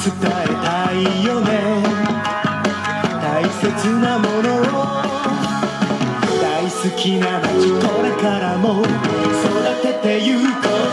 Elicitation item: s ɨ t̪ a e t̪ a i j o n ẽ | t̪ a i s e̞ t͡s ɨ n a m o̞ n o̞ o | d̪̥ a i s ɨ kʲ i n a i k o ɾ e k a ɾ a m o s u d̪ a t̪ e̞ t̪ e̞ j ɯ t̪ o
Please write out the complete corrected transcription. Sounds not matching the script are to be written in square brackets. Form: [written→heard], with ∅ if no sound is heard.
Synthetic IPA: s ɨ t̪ a e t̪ a i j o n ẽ | t̪ a i s e̞ t͡s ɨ n a m o̞ n o̞ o | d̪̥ a i s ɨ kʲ i n a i k o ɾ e k a ɾ a m o s [u→o] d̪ a t̪ e̞ t̪ e̞ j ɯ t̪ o